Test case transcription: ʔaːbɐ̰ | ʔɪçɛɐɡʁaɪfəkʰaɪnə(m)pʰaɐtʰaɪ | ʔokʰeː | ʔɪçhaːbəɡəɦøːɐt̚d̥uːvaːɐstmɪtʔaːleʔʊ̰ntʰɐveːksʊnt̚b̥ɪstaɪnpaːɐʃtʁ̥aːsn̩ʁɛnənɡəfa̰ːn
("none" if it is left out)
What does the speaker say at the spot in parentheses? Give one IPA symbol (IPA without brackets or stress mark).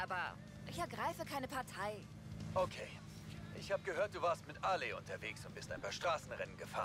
none